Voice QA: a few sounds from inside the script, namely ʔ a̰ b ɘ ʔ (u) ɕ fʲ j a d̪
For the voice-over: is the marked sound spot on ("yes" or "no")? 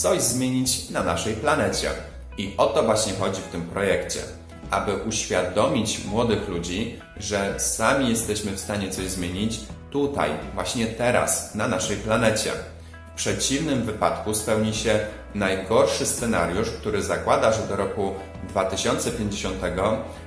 yes